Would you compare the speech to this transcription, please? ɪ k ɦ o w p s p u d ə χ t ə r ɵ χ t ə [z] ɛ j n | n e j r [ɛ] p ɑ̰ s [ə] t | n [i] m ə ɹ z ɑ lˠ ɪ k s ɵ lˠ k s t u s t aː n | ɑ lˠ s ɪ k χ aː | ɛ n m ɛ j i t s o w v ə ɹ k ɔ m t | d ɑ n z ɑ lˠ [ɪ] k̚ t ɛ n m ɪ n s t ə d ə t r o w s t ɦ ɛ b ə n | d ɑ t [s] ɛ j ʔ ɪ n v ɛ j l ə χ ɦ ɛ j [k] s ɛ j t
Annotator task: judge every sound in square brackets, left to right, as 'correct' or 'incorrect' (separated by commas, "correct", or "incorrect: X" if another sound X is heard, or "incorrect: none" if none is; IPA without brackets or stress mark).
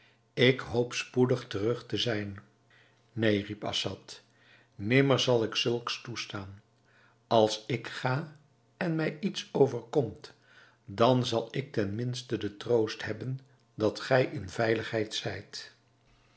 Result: correct, incorrect: i, incorrect: ɑ, incorrect: ɪ, correct, incorrect: χ, incorrect: t